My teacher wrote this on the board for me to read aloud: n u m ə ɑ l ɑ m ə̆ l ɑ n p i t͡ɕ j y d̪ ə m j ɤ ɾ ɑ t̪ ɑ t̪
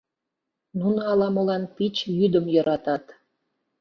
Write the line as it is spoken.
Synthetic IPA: n u n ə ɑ l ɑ m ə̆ l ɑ n p i t͡ɕ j y d̪ ə m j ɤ ɾ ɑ t̪ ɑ t̪